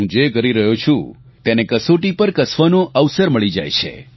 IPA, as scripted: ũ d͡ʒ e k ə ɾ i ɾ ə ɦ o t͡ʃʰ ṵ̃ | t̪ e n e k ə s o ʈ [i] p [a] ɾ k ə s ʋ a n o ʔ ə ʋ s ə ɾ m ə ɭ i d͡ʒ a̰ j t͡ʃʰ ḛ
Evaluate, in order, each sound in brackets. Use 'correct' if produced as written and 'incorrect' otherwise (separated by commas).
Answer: correct, incorrect